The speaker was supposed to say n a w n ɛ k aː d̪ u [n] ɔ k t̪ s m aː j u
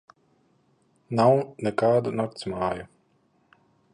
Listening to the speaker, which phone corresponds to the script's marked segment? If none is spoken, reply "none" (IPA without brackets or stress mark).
n